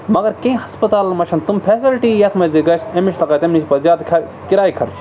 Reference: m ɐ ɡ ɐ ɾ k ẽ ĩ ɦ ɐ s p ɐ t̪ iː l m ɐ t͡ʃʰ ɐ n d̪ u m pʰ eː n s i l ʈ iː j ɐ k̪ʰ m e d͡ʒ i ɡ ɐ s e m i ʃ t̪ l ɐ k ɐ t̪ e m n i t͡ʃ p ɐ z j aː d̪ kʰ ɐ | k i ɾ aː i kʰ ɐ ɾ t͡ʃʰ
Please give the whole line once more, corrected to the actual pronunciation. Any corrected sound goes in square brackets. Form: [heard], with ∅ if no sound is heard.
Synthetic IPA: m ɐ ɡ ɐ ɾ k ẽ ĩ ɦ ɐ s p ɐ t̪ [aː] l m ɐ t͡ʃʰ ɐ n [t̪] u m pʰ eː [∅] s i l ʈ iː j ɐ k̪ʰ m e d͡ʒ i ɡ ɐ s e m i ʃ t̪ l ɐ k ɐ t̪ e m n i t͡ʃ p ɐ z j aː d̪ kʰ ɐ | k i ɾ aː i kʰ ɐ ɾ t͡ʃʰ